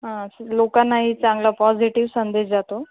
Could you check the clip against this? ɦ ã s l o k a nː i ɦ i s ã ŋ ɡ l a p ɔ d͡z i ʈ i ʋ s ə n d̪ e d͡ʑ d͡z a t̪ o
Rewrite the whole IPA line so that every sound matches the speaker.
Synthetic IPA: ɦ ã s l o k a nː a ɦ i t͡s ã ŋ ɡ l a p ɔ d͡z i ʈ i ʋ s ə n d̪ e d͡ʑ d͡z a t̪ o